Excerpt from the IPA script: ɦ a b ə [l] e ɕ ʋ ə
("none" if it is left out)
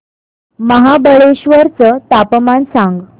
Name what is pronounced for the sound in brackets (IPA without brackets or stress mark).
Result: ɭ